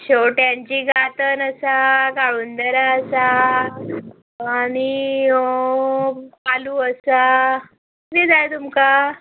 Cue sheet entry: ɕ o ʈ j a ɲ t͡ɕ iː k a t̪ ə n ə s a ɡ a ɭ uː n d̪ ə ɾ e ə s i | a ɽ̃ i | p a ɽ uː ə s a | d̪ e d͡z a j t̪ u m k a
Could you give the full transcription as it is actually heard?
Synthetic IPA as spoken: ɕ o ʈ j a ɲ t͡ɕ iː ɡ a t̪ ə n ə s a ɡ a ɭ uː n d̪ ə ɾ a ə s a | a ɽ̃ i | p a l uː ə s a | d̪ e d͡z a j t̪ u m k a